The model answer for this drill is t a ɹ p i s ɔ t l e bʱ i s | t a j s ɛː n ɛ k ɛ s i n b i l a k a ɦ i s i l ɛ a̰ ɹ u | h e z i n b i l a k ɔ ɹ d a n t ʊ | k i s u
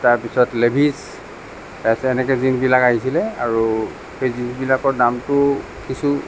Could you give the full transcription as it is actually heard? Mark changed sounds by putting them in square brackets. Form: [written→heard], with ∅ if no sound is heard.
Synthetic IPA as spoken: t a ɹ p i s ɔ t l e bʱ i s | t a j s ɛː n ɛ k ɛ [s→z] i n b i l a k a ɦ i s i l ɛ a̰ ɹ u | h e z i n b i l a k ɔ ɹ d a [n→m] t ʊ | k i s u